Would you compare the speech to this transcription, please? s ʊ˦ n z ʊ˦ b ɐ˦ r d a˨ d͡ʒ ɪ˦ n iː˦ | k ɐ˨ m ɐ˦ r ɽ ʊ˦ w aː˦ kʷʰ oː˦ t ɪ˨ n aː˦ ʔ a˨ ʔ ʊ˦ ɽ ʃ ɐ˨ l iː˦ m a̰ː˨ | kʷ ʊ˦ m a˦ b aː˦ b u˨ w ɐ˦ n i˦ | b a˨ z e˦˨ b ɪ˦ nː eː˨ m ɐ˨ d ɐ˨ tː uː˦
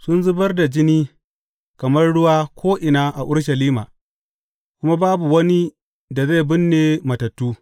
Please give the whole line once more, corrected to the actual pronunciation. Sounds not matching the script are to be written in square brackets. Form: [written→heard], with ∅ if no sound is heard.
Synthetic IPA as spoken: s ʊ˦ n z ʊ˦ b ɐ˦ r d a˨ d͡ʒ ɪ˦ n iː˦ | k ɐ˨ m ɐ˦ r ɽ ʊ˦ w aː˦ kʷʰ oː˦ [t→ʔ] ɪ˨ n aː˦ ʔ a˨ ʔ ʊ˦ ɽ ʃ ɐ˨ l iː˦ m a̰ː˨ | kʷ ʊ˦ m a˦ b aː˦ b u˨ w ɐ˦ n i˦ | [b→d] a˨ z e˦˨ b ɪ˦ nː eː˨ m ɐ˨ [d→t] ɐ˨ tː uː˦